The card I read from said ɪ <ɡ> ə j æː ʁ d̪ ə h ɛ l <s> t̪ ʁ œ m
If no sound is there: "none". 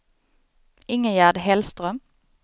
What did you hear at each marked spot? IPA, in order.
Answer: ŋ, s

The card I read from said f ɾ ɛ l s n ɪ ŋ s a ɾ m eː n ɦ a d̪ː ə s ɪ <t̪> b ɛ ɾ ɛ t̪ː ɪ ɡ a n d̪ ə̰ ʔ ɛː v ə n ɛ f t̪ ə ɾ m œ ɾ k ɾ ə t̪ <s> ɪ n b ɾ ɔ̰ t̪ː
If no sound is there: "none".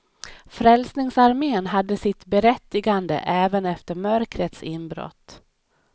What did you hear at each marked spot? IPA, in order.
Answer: t̪, s

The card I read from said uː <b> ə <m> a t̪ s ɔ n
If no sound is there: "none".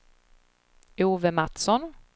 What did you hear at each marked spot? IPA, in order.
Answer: v, m

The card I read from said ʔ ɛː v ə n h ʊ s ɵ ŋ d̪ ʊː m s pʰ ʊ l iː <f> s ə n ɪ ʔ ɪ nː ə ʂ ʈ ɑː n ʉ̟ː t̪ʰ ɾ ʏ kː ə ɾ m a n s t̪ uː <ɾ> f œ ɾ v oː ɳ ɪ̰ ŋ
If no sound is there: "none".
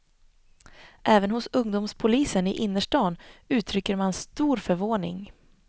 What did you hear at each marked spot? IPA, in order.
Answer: none, ɾ

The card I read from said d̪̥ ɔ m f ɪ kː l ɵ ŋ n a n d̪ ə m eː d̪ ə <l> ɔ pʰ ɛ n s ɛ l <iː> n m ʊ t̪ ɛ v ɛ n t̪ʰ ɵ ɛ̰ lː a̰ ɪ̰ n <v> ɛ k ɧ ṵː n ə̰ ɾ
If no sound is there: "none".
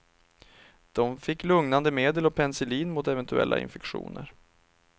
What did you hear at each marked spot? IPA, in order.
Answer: l, iː, f

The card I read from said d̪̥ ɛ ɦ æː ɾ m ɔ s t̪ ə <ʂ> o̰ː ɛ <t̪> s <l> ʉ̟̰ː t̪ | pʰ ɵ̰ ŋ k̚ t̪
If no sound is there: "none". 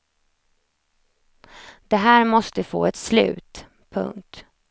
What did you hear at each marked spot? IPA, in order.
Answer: f, t̪, l

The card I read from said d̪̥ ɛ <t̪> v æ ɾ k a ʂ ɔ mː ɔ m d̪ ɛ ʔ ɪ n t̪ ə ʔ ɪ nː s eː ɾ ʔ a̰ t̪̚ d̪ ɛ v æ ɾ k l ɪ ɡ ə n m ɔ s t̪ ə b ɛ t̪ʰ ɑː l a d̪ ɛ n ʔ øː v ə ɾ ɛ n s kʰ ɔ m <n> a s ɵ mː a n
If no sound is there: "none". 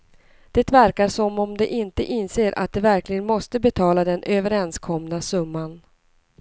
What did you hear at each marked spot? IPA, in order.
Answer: t̪, n

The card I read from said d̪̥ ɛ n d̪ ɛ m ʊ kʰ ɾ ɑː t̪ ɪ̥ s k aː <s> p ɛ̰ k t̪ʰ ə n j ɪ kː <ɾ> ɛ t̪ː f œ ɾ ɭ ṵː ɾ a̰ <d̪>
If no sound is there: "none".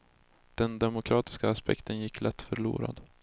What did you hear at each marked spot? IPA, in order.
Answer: s, l, d̪

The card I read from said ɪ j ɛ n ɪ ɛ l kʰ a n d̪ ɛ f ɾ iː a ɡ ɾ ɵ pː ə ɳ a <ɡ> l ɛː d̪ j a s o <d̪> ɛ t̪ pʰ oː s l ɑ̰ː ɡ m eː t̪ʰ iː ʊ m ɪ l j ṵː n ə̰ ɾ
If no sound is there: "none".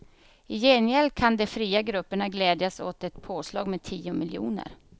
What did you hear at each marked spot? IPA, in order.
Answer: ɡ, t̪

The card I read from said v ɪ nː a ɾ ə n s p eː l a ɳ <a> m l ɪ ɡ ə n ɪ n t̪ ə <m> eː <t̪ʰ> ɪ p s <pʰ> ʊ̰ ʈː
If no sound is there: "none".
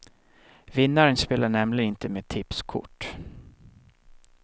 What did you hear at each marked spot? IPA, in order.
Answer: ɛ, m, t̪ʰ, kʰ

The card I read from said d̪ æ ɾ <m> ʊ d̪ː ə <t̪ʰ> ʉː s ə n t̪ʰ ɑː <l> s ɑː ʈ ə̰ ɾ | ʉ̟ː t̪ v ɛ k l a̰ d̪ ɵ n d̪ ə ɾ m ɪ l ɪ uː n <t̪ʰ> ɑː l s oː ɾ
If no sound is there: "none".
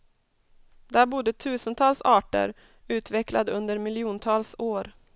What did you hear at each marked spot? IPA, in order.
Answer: b, t̪ʰ, l, t̪ʰ

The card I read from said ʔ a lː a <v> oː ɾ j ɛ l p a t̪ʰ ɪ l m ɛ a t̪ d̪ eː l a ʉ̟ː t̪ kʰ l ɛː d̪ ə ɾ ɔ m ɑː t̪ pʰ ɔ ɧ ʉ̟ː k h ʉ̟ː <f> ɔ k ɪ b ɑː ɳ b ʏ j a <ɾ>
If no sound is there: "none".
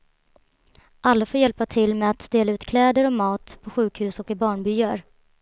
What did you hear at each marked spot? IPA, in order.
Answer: f, s, ɾ

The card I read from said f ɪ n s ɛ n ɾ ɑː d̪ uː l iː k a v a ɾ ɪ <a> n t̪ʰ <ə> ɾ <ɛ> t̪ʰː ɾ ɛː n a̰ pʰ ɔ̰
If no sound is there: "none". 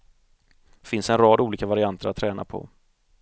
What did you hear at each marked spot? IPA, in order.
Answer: a, ə, a

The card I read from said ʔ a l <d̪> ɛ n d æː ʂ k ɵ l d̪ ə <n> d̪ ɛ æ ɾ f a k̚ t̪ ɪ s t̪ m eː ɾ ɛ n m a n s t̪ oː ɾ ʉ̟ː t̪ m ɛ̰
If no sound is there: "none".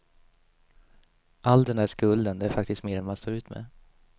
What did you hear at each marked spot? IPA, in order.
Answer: d̪, n

